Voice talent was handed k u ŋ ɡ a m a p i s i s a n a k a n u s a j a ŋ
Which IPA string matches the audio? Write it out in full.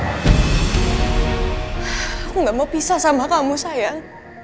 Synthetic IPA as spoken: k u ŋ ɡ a m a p i s a s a m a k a m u s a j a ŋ